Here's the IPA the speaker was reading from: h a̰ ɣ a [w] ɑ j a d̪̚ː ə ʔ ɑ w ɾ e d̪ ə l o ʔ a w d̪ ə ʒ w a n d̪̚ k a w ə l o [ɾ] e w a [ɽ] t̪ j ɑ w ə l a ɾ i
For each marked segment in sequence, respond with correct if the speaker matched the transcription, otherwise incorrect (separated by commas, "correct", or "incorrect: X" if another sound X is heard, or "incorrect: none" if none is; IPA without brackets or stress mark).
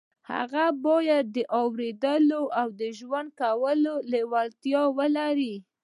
incorrect: b, incorrect: l, incorrect: l